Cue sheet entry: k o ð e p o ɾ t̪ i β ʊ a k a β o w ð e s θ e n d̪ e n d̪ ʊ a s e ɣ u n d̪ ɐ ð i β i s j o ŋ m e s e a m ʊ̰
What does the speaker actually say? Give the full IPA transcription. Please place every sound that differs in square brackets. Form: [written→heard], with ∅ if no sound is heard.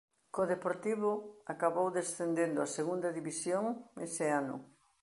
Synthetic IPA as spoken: k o ð e p o ɾ t̪ i β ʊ a k a β o w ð e s θ e n d̪ e n d̪ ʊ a s e ɣ u n d̪ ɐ ð i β i s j o ŋ m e s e a [m→n] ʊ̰